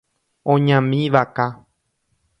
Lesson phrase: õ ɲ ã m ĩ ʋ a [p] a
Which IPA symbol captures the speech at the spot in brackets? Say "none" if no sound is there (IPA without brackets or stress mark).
k